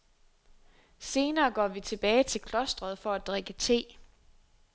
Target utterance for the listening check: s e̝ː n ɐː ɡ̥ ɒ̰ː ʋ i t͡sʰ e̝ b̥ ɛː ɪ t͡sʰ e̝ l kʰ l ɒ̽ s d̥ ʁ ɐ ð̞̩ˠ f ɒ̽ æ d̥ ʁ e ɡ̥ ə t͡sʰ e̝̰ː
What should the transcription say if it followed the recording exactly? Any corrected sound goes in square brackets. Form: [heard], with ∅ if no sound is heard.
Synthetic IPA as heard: s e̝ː n ɐː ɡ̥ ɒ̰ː ʋ i t͡sʰ e̝ b̥ ɛː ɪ t͡sʰ e̝ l kʰ l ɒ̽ s d̥ ʁ ɐ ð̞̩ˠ f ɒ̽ æ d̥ ʁ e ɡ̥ ə t͡sʰ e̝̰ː